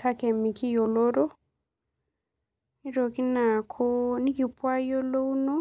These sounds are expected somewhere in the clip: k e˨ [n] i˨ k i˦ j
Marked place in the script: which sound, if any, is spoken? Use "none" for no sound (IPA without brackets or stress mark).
m